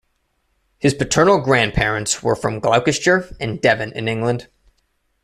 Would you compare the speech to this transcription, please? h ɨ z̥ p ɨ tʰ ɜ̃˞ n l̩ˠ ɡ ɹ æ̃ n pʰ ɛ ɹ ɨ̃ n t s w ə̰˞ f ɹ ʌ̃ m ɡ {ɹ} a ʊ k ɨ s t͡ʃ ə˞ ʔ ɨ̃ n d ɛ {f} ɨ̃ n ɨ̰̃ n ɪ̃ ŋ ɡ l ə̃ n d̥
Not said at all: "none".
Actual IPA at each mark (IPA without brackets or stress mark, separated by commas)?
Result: l, v